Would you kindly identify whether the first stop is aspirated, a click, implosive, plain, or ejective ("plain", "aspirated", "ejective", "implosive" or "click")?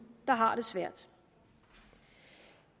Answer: plain